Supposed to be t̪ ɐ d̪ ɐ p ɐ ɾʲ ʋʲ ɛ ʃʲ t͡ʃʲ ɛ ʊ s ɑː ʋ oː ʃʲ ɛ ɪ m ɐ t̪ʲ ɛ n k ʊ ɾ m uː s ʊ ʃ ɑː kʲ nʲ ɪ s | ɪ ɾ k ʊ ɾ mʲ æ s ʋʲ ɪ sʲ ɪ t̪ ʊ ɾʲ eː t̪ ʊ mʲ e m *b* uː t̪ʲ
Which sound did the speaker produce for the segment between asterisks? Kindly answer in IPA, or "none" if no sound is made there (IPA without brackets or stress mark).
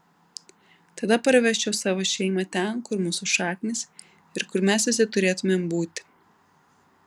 b